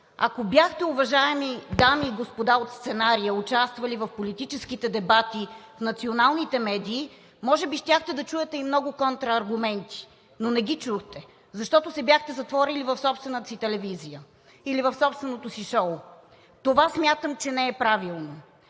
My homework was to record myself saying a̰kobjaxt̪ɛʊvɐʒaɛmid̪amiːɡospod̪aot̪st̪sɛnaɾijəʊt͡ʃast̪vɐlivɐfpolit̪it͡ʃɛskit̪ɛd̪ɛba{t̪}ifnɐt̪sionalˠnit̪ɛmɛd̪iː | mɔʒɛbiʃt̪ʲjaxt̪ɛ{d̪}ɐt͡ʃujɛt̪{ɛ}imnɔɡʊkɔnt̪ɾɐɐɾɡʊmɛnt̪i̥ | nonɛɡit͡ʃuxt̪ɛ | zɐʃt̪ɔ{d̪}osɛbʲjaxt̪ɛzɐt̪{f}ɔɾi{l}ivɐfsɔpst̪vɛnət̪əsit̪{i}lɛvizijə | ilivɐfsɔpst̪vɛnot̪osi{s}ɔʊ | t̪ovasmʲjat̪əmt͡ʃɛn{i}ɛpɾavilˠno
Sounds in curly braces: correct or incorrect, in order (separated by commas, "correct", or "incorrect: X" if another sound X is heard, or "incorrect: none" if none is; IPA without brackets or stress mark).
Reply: correct, correct, correct, incorrect: t̪, incorrect: v, correct, incorrect: ɛ, incorrect: ʃ, incorrect: ɛ